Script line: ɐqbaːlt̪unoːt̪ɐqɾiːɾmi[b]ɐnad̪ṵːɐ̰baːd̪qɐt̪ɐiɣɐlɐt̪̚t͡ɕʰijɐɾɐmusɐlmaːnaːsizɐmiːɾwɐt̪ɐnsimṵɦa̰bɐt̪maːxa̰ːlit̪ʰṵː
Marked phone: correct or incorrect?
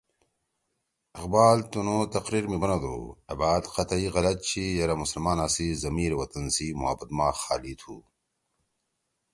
correct